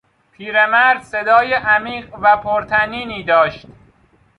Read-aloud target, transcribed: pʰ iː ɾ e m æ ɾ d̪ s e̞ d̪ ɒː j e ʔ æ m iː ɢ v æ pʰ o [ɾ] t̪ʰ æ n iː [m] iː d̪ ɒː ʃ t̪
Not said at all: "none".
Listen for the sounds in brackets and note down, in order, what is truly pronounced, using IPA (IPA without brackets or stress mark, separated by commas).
ɾ, n